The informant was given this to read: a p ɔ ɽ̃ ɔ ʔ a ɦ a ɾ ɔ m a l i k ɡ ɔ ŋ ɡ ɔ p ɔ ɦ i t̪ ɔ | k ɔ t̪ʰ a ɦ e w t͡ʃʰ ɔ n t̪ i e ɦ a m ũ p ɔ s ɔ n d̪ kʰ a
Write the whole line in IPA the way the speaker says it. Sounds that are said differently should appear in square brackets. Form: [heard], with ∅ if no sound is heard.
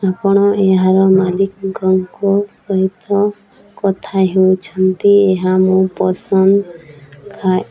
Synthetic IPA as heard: a p ɔ ɽ̃ ɔ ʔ [e] ɦ a ɾ ɔ m a l i k ɡ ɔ ŋ [k] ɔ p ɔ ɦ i t̪ ɔ | k ɔ t̪ʰ a ɦ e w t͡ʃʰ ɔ n t̪ i e ɦ a m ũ p ɔ s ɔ n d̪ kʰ a